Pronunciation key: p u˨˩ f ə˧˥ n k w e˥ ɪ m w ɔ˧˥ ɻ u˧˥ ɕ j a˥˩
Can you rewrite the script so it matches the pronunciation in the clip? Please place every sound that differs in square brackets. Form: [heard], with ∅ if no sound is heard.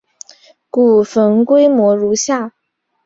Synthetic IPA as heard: [k] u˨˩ f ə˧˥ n k w e˥ ɪ m w ɔ˧˥ ɻ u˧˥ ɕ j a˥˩